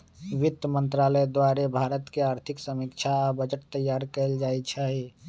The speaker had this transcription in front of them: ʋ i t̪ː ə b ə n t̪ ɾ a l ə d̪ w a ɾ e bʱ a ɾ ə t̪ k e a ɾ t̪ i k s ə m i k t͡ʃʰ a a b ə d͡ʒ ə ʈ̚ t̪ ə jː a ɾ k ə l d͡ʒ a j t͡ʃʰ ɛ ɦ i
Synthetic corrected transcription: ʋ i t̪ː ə m ə n t̪ ɾ a l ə d̪ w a ɾ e bʱ a ɾ ə t̪ k e a ɾ t̪ʰ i k s ə m i k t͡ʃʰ a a b ə d͡ʒ ə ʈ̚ t̪ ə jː a ɾ k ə l d͡ʒ a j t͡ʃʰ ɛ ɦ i